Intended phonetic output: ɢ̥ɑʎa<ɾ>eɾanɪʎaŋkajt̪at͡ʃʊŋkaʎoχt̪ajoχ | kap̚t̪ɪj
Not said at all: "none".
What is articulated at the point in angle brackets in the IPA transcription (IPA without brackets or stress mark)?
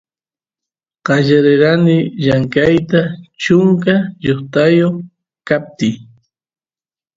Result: ɾ